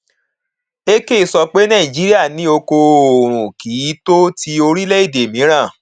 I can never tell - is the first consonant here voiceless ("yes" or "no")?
yes